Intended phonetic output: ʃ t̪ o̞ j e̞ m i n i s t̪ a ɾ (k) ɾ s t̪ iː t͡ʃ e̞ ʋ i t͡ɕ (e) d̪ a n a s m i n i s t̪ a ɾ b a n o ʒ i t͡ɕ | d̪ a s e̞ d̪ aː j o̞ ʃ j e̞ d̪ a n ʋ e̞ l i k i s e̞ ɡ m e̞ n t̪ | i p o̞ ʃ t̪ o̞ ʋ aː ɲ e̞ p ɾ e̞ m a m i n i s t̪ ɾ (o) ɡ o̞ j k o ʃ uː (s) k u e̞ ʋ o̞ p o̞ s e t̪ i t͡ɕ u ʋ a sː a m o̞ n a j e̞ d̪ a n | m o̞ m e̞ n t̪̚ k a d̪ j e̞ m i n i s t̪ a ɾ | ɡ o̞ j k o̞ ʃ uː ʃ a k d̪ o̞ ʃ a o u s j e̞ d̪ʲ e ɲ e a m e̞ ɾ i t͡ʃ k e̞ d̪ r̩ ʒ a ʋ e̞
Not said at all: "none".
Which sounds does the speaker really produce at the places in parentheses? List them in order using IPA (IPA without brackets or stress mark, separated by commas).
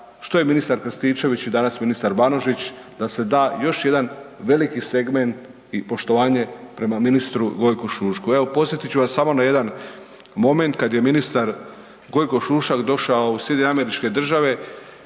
k, i, u, ʃ